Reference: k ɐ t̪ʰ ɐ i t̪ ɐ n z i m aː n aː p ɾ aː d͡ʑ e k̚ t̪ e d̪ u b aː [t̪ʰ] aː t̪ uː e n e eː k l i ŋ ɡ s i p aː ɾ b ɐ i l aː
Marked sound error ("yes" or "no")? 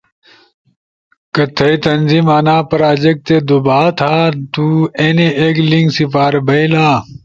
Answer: no